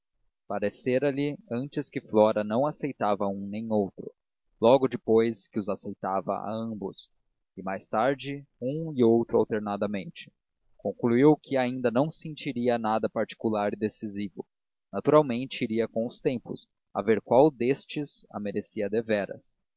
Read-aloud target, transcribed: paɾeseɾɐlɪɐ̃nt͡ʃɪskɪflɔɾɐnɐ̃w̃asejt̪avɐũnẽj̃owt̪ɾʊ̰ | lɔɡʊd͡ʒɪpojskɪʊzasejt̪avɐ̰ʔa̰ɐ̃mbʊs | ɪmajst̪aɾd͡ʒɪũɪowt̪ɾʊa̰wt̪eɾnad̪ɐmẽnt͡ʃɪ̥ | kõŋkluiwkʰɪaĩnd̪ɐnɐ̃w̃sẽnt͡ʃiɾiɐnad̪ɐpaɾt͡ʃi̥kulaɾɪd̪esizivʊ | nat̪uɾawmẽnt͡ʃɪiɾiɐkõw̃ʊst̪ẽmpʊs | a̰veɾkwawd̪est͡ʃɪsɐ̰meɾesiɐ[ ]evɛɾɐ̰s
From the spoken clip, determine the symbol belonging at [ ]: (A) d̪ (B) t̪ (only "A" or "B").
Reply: A